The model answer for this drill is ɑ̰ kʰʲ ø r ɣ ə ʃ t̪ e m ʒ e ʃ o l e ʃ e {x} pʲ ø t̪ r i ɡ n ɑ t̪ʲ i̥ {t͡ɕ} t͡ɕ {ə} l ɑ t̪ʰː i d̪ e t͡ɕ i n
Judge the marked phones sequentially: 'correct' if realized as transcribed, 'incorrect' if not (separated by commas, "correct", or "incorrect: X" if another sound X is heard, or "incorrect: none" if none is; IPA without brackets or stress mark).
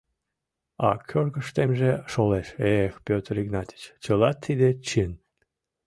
correct, correct, correct